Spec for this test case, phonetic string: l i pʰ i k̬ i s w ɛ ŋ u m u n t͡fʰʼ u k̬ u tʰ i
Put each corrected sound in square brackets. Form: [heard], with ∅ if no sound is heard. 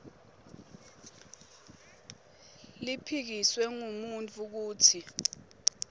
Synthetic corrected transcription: l i pʰ i k̬ i s w ɛ ŋ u m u n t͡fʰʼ u k̬ [uː] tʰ i